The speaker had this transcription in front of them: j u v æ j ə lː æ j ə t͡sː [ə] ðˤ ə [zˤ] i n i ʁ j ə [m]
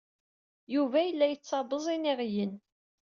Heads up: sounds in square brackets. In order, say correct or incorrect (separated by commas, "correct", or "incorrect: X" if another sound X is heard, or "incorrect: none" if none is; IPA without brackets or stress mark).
incorrect: ɑ, correct, incorrect: n